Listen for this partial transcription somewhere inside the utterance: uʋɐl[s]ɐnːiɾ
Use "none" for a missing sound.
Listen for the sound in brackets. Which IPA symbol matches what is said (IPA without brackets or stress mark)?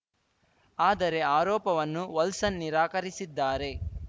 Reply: s